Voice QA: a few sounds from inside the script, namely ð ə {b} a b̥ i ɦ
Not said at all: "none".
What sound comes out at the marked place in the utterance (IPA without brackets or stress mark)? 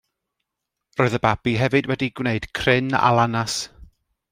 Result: b